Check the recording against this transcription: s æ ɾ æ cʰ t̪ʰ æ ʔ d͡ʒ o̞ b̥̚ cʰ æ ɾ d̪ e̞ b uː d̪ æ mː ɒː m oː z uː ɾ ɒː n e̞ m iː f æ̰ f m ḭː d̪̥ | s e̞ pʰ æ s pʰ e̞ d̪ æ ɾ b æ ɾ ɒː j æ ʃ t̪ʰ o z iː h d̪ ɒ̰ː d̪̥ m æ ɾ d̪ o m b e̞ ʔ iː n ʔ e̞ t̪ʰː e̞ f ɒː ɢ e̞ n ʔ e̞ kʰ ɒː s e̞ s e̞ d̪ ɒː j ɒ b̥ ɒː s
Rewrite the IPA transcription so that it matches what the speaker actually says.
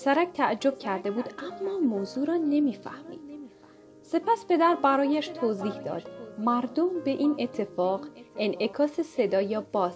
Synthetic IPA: s æ ɾ æ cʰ t̪ʰ æ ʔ d͡ʒ o̞ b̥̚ cʰ æ ɾ d̪ e̞ b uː d̪ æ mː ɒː m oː z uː ɾ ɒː n e̞ m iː f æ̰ h m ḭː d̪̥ | s e̞ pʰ æ s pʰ e̞ d̪ æ ɾ b æ ɾ ɒː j æ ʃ t̪ʰ o z iː h d̪ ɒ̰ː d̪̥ m æ ɾ d̪ o m b e̞ ʔ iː n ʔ e̞ t̪ʰː e̞ f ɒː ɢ e̞ n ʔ e̞ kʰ ɒː s e̞ s e̞ d̪ ɒː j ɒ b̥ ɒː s